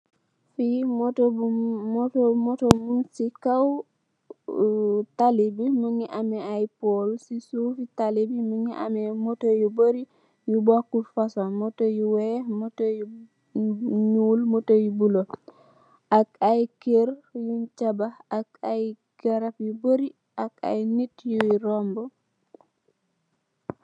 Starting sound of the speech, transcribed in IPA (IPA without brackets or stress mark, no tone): f